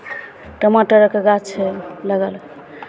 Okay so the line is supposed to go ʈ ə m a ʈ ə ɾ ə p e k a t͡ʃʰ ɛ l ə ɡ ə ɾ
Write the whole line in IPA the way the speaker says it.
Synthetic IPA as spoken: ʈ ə m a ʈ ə ɾ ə k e ɡ a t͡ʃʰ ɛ l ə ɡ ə l